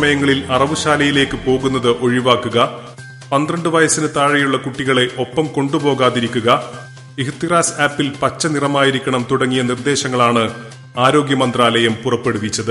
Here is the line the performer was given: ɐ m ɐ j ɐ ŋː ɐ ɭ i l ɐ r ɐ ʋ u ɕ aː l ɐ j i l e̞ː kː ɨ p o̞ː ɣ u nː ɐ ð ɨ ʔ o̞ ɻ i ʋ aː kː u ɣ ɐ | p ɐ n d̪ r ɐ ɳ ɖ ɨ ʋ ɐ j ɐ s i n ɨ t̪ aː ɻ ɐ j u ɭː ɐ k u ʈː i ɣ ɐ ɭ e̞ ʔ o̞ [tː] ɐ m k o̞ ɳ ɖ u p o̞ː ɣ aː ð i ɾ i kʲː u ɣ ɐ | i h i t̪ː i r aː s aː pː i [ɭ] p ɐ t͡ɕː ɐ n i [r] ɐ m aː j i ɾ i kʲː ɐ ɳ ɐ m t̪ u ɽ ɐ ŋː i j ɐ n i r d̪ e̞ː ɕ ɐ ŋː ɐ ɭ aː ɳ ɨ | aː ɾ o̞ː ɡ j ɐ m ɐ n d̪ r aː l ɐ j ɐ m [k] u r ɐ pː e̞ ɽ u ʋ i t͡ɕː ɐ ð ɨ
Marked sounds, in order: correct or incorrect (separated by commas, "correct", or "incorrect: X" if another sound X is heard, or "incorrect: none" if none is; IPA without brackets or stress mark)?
incorrect: pː, incorrect: l, correct, incorrect: p